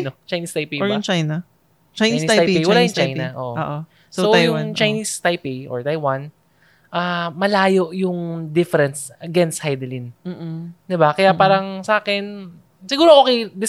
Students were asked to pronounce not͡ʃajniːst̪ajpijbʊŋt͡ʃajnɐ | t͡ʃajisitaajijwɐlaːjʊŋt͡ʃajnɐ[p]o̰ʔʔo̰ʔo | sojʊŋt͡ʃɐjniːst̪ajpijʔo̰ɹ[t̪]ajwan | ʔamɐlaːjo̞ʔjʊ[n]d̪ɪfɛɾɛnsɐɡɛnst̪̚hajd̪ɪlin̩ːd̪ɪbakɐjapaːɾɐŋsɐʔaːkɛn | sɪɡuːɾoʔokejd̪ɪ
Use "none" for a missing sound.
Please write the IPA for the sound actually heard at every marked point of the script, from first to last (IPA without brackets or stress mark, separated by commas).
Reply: ʔ, t̪, ŋ